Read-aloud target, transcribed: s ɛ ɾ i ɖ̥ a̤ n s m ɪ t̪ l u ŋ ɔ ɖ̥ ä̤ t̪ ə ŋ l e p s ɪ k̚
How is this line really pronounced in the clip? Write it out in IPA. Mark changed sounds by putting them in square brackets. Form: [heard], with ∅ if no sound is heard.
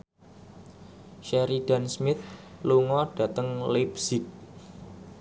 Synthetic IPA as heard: [ʃ] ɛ ɾ i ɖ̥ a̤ n s m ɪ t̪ l u ŋ ɔ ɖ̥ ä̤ t̪ ə ŋ l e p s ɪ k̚